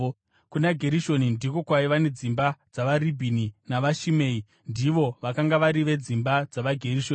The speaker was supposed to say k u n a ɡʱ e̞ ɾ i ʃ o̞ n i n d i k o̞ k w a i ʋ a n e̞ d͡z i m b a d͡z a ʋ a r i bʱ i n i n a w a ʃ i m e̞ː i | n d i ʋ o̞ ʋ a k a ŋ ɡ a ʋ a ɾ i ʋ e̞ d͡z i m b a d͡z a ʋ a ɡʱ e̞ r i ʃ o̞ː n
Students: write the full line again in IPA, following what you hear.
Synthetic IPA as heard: k u n a ɡʱ e̞ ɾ i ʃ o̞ n i n d i k o̞ k w a i ʋ a n e̞ d͡z i m b a d͡z a ʋ a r i bʱ i n i n a ʋ a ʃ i m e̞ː i | n d i ʋ o̞ ʋ a k a ŋ ɡ a ʋ a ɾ i ʋ e̞ d͡z i m b a d͡z a ʋ a ɡʱ e̞ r i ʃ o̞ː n